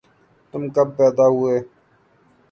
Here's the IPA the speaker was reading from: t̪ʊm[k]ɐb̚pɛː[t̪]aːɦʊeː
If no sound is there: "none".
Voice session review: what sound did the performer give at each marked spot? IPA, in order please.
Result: k, d̪

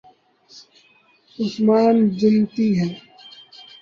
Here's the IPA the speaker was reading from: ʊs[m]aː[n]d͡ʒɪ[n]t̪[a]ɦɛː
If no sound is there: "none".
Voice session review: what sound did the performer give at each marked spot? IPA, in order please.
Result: m, n, n, i

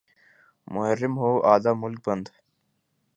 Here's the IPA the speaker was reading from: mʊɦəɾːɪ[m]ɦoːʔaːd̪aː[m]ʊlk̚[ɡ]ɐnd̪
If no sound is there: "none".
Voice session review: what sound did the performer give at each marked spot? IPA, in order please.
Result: m, m, b

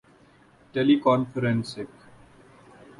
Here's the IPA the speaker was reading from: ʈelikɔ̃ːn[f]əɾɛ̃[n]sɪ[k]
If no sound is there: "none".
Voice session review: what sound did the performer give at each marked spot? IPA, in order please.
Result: f, n, k

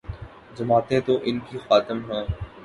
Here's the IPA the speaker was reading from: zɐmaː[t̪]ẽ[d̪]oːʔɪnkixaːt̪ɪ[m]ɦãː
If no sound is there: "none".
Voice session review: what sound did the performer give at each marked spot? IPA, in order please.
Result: t̪, t̪, m

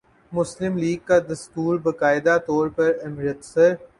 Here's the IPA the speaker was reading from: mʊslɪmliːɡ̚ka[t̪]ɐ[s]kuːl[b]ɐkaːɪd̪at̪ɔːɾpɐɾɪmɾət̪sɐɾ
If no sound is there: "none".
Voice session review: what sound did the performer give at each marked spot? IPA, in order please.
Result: d̪, s, b

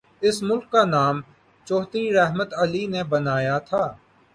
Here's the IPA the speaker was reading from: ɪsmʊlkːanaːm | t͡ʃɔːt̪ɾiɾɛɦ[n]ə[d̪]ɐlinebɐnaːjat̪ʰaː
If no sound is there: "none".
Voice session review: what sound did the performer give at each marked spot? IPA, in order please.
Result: m, t̪

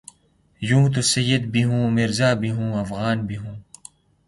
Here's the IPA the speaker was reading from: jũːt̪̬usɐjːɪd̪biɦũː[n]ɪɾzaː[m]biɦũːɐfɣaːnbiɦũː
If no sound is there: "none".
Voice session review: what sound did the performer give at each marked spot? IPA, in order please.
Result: m, none

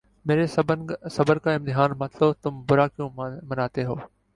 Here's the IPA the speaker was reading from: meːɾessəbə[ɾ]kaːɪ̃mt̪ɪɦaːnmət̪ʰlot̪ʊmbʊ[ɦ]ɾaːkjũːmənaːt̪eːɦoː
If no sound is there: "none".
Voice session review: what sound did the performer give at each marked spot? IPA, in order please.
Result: ɾ, none

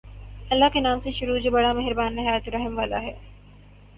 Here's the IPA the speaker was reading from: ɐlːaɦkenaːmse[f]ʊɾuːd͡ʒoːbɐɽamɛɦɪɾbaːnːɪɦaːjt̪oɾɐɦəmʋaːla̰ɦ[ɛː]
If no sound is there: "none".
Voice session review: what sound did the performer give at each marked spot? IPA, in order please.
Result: ʃ, ɛː

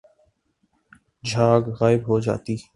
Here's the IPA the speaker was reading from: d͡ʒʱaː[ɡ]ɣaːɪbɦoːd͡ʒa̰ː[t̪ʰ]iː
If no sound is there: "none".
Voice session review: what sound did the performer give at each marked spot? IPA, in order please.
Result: ɡ, t̪

